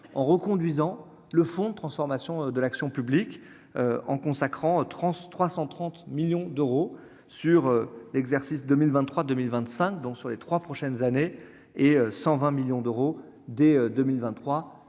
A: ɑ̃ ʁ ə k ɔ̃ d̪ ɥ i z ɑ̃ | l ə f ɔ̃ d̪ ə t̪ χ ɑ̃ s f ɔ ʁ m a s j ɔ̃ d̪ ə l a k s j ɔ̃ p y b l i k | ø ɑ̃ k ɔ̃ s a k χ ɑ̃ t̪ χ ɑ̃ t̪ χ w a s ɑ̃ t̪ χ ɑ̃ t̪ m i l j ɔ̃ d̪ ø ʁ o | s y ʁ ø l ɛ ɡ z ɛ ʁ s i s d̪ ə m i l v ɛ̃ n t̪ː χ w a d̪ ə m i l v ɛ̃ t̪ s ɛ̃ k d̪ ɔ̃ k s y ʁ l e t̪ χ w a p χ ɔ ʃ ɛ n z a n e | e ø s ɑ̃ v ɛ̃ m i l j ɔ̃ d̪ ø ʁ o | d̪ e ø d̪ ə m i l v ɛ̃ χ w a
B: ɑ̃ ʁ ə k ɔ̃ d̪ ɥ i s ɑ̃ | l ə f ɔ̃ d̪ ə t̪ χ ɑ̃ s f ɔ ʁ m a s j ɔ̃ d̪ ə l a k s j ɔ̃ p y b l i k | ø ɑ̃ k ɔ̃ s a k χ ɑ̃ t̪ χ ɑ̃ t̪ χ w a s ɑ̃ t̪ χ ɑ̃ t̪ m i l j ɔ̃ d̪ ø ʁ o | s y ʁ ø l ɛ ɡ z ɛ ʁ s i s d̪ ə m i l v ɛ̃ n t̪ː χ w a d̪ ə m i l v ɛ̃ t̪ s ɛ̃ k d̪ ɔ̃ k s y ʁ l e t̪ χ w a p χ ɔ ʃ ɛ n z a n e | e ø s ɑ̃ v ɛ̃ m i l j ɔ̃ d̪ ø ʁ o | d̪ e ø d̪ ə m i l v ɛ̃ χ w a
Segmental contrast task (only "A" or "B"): A